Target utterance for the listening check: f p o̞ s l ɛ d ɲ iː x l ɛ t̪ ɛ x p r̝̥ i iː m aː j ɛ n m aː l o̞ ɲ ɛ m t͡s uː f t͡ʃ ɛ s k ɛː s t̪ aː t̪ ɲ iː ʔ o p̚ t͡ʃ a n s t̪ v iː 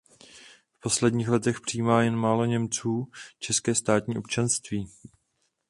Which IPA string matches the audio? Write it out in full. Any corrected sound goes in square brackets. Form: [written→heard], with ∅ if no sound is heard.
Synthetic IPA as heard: f p o̞ s l ɛ d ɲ iː x l ɛ t̪ ɛ x p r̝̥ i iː m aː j ɛ n m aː l o̞ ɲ ɛ m t͡s uː [f→∅] t͡ʃ ɛ s k ɛː s t̪ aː t̪ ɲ iː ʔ o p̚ t͡ʃ a n s t̪ v iː